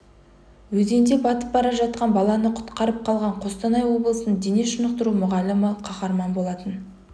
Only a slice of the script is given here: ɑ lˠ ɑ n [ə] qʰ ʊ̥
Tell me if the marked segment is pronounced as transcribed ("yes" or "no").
yes